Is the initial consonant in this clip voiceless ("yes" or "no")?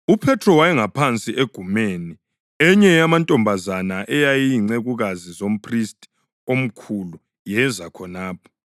yes